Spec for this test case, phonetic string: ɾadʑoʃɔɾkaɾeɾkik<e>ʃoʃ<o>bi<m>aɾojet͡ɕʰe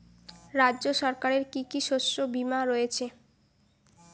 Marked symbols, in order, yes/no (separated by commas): no, yes, yes